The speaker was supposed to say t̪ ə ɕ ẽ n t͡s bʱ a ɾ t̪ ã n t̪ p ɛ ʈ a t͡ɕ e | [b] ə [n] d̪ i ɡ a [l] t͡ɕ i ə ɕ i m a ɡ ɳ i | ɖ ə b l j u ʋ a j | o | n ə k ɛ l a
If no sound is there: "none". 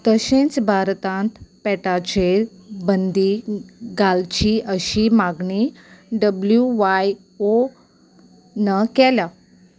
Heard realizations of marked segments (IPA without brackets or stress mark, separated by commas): b, n, l